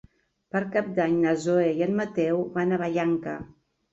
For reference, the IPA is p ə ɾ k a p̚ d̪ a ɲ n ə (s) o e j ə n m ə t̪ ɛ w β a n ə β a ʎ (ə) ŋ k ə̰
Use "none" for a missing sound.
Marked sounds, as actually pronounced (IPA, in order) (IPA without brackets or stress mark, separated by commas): z, a